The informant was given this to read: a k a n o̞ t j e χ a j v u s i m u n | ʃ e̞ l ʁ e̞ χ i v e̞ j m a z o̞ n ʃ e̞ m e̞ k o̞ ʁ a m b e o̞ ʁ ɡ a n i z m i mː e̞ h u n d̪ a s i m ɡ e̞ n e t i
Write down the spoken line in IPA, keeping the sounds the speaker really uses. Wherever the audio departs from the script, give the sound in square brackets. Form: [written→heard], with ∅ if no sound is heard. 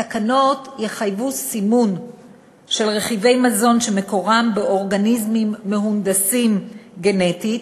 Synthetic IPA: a k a n o̞ t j e χ a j v u s i m u n | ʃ e̞ l ʁ e̞ χ i v e̞ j m a z o̞ n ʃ e̞ m e̞ k o̞ ʁ a m b e o̞ ʁ ɡ a n i z m i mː e̞ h u n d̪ a s i m ɡ e̞ n e t i

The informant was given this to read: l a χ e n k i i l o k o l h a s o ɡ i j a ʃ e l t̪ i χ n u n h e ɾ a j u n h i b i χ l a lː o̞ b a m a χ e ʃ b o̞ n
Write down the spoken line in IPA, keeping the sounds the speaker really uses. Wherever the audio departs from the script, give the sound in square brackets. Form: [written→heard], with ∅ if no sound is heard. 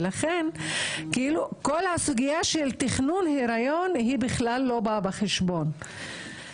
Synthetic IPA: l a χ e n k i i l [o→u] k o l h a s [o→u] ɡ i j a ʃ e l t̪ i χ n u n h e ɾ a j [u→o] n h i b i χ l a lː o̞ b a [m→b] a χ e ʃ b o̞ n

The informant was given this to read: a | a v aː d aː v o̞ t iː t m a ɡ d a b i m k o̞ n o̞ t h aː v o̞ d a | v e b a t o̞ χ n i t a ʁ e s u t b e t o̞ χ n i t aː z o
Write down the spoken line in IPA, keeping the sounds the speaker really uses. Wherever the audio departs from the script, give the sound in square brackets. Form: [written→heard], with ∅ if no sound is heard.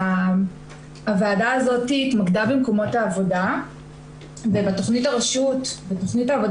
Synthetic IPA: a | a v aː d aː [v→z] o̞ t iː t m a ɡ d a b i m k o̞ [n→m] o̞ t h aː v o̞ d a | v e b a t o̞ χ n i t a ʁ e [s→ʃ] u t b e t o̞ χ n i t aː [z→v] o

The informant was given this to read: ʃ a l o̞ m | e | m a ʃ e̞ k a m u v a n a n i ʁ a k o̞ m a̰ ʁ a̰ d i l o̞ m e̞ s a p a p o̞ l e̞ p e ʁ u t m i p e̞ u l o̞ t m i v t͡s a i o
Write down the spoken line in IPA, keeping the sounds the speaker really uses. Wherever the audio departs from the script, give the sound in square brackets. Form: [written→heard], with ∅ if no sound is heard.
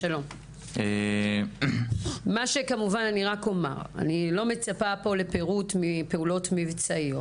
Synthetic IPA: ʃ a l o̞ m | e | m a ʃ e̞ k a m u v a n a n i ʁ a k o̞ m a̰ ʁ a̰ [d→n] i l o̞ m e̞ [s→t͡s] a p a p o̞ l e̞ p e ʁ u t m i p e̞ u l o̞ t m i v t͡s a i o

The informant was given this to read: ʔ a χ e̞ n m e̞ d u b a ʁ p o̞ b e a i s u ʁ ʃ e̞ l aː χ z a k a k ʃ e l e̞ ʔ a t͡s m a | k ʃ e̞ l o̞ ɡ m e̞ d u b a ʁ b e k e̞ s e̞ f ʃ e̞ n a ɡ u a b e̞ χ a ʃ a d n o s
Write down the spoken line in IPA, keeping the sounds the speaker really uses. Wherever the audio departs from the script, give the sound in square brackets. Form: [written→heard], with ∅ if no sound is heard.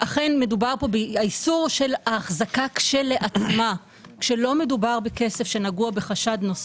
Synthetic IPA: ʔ a χ e̞ n m e̞ d u b a ʁ p o̞ b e a i s u ʁ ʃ e̞ l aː χ z a k a k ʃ e l e̞ ʔ a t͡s m a | k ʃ e̞ l o̞ [ɡ→∅] m e̞ d u b a ʁ b e k e̞ s e̞ f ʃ e̞ n a ɡ u a b e̞ χ a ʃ a d n o s

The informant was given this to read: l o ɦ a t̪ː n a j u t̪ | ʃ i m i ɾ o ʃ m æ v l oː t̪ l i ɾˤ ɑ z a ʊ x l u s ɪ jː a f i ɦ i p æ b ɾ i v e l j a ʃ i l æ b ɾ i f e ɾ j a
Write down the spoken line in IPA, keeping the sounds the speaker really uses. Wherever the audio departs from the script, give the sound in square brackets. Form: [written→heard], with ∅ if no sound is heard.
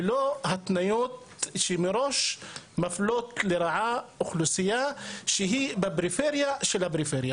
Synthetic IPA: l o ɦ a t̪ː n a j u t̪ | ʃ i m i ɾ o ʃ m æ [v→f] l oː t̪ l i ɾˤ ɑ [z→ʕ] a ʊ x l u s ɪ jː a [f→ʃ] i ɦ i [p→b] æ b ɾ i [v→f] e [l→ɾ] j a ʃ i l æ b ɾ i f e ɾ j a

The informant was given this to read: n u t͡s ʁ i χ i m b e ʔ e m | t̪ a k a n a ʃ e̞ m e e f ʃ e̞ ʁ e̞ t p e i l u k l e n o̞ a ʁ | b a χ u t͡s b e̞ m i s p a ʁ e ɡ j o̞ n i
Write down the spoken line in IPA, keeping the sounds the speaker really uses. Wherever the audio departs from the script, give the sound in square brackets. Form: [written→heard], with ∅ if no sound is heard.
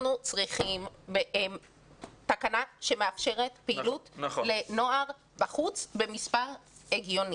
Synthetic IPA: n u t͡s ʁ i χ i m b e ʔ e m | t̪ a k a n a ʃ e̞ m e [e→a] f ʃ e̞ ʁ e̞ t p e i l u [k→t] l e n o̞ a ʁ | b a χ u t͡s b e̞ m i s p a ʁ e ɡ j o̞ n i

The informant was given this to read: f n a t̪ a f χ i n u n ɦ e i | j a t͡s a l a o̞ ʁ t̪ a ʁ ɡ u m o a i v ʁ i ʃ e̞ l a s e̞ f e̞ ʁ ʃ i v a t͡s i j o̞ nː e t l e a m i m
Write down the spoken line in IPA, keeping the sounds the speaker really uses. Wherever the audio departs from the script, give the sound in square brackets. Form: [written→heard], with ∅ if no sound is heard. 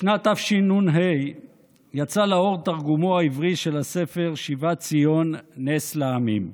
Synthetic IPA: [f→ʃ] n a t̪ a f [χ→ʃ] i n u n ɦ e [i→j] | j a t͡s a l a o̞ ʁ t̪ a ʁ ɡ u m o a i v ʁ i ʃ e̞ l a s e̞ f e̞ ʁ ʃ i v a t͡s i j o̞ nː e [t→s] l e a m i m

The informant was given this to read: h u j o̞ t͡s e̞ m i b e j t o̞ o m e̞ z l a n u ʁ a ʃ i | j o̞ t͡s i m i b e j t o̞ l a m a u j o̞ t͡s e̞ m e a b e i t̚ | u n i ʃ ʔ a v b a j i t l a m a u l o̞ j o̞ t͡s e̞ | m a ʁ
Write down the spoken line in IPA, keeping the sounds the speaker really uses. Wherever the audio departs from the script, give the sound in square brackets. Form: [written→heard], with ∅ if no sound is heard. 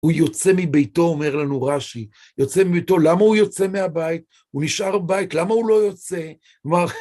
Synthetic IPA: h u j o̞ t͡s e̞ m i b e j t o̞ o m e̞ [z→ʁ] l a n u ʁ a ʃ i | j o̞ t͡s [i→e] m i b e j t o̞ l a m a u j o̞ t͡s e̞ m e a b [e→a] i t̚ | u n i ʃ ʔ a [v→ʁ] b a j i t l a m a u l o̞ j o̞ t͡s e̞ | m a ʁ

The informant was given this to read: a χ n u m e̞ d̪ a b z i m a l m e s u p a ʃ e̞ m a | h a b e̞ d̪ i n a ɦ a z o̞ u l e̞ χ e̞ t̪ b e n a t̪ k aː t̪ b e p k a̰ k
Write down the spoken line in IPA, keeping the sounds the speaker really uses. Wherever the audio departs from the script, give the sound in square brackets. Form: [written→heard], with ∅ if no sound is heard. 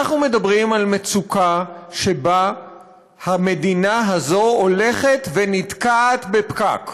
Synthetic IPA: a χ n u m e̞ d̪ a b [z→ʁ] i m a l m e [s→t͡s] u [p→k] a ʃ e̞ [m→b] a | h a [b→m] e̞ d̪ i n a ɦ a z o̞ [u→o] l e̞ χ e̞ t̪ [b→v] e n [a→i] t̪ k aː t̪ b e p k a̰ k

